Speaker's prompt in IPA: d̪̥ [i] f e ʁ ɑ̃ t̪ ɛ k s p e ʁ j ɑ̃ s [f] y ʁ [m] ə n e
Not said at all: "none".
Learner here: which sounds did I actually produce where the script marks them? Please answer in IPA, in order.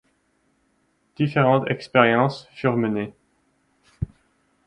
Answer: i, f, m

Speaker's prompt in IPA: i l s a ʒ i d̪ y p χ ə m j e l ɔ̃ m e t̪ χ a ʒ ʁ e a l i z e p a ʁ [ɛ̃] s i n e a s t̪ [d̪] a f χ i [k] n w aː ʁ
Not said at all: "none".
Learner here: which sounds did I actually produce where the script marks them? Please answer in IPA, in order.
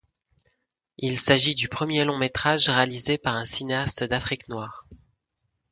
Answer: ɛ̃, d̪, k

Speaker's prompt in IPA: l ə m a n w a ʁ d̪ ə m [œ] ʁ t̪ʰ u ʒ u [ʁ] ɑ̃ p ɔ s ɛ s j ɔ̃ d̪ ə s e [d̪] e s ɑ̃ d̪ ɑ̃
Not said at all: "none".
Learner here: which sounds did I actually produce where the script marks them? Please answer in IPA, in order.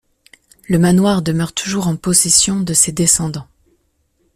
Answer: œ, ʁ, d̪

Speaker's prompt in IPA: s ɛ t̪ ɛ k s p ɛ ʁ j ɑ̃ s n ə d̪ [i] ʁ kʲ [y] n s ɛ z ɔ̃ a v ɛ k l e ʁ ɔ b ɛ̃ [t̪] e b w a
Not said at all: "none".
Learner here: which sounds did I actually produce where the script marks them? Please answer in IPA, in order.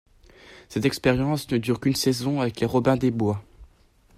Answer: y, y, d̪

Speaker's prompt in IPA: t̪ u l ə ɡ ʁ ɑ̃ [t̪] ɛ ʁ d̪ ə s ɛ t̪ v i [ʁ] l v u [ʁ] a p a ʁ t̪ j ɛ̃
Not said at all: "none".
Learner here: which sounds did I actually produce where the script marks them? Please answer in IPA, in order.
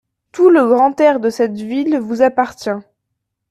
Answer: t̪, none, z

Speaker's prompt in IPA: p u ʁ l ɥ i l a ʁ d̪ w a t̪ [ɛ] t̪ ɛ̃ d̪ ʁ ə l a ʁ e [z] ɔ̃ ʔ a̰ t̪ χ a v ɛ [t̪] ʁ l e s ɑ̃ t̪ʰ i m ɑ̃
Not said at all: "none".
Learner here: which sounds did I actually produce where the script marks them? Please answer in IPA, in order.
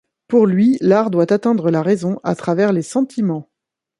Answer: a, z, none

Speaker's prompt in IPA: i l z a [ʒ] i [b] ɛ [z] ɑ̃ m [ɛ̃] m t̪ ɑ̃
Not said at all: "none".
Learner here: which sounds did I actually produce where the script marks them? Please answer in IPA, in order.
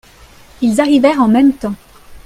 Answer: ʁ, v, ʁ, ɛ

